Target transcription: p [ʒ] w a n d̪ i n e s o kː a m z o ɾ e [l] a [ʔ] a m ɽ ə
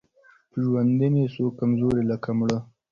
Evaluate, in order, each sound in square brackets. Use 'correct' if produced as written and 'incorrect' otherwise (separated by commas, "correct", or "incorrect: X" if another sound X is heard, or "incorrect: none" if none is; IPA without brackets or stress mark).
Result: correct, correct, incorrect: k